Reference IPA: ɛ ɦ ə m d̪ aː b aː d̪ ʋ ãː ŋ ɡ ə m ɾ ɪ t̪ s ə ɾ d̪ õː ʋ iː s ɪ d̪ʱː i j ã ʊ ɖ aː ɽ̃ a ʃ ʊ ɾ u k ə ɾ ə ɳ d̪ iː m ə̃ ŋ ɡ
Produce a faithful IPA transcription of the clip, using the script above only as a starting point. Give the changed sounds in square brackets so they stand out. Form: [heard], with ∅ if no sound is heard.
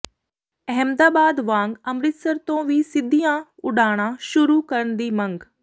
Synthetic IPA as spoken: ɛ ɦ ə m d̪ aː b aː d̪ ʋ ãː ŋ ɡ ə m ɾ ɪ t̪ s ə ɾ [t̪] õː ʋ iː s ɪ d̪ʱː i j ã ʊ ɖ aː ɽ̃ a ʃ ʊ ɾ u k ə ɾ ə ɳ d̪ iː m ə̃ ŋ ɡ